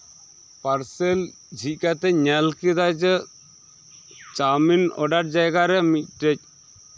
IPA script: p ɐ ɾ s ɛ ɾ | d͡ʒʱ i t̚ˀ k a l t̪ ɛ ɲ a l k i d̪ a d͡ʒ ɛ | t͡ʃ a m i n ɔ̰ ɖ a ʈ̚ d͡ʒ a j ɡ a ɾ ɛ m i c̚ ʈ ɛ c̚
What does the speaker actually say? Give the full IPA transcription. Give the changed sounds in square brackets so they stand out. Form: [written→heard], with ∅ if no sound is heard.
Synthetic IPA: p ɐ ɾ s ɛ [ɾ→l] | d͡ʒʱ i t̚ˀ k a [l→∅] t̪ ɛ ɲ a l k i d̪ a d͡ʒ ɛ | t͡ʃ a m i n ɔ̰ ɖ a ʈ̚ d͡ʒ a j ɡ a ɾ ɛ m i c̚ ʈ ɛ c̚

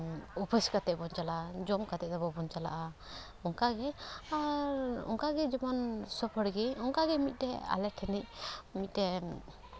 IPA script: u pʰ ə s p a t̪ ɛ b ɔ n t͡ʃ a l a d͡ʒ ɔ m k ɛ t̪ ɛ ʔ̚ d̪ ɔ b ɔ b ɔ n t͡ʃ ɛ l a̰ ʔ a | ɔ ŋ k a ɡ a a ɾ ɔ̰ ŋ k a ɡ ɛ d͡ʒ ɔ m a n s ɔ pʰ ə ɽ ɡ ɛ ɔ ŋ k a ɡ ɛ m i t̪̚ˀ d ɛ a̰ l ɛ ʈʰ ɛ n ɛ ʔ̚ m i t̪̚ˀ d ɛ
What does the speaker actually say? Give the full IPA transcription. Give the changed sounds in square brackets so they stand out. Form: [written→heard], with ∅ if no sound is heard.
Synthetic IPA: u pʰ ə s [p→k] a t̪ ɛ b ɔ n t͡ʃ a l a d͡ʒ ɔ m k [ɛ→a] t̪ ɛ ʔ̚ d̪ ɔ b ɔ b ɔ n t͡ʃ [ɛ→a] l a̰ ʔ a | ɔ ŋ k a ɡ [a→ɛ] a ɾ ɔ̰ ŋ k a ɡ ɛ d͡ʒ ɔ m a n s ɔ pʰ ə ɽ ɡ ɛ ɔ ŋ k a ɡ ɛ m i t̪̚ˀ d ɛ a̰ l ɛ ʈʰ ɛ n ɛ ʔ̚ m i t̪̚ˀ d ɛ

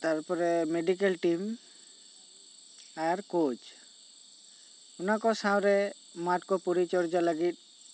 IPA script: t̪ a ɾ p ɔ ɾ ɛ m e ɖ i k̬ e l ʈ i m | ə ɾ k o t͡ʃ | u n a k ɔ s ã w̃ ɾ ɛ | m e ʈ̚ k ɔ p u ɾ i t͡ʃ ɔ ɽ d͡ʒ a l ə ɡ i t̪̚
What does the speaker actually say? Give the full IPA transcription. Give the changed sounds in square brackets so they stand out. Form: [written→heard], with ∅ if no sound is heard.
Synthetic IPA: t̪ a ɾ p ɔ ɾ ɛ m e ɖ i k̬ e l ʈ i m | [ə→a] ɾ k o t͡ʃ | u n a k ɔ s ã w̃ ɾ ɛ | m [e→a] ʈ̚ k ɔ p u ɾ i t͡ʃ ɔ [ɽ→ɾ] d͡ʒ a l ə ɡ i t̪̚

